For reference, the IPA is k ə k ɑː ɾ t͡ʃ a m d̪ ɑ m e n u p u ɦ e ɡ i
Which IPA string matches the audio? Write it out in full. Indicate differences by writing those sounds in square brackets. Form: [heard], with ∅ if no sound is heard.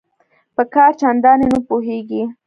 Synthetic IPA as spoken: [p] ə k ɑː ɾ t͡ʃ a [n] d̪ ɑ [n] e n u p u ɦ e ɡ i